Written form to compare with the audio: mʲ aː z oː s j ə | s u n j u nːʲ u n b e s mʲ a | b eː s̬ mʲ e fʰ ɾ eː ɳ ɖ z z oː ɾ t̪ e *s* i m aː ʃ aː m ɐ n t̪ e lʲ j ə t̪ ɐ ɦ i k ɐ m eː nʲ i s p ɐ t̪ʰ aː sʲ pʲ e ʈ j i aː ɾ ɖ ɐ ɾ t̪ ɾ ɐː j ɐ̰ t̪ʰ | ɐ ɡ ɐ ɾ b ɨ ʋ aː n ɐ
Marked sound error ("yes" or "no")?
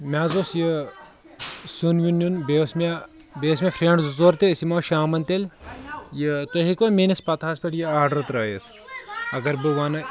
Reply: no